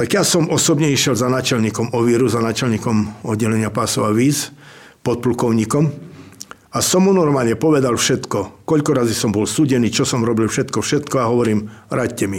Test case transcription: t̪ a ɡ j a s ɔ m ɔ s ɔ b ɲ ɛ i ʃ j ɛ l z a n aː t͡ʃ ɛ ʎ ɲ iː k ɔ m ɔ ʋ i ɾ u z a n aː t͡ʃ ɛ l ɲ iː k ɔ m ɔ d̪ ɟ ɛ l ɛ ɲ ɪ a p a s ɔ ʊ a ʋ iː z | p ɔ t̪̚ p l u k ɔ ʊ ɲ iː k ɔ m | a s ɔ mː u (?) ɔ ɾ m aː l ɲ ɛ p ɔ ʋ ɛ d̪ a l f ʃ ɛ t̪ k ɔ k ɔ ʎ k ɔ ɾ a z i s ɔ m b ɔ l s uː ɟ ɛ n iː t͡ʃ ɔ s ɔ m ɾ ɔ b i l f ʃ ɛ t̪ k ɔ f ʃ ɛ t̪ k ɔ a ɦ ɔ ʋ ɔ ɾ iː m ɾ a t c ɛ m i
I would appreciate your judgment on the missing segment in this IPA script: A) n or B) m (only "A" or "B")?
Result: A